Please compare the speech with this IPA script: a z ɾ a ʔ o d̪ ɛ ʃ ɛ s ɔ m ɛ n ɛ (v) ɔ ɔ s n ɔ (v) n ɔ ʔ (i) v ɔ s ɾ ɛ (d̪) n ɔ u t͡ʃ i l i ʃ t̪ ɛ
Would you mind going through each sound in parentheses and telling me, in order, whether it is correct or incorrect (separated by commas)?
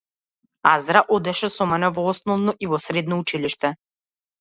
correct, correct, correct, correct